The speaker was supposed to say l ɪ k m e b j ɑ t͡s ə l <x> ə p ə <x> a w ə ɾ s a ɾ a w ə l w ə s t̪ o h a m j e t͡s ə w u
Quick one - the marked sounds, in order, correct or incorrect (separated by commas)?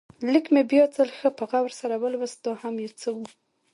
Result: correct, incorrect